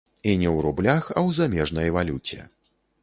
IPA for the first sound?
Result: i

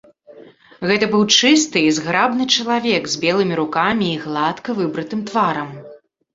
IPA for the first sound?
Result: ɣ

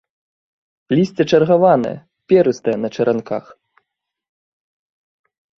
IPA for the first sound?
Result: lʲ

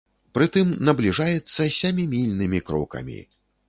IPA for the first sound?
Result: p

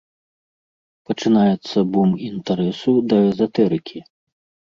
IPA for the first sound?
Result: p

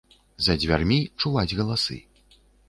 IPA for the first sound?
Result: z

